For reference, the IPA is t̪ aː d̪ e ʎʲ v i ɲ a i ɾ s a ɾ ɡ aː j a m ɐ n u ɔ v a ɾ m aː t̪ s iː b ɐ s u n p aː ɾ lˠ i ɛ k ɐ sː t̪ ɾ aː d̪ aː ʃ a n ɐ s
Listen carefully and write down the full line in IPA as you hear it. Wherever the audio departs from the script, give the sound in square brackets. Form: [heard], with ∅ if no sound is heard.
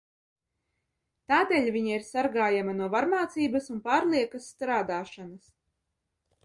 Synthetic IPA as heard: t̪ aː d̪ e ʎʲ v i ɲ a i ɾ s a ɾ ɡ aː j a m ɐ n u ɔ v a ɾ m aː t̪ s iː b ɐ s u n p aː ɾ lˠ i ɛ k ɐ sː t̪ ɾ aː d̪ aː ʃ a n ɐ s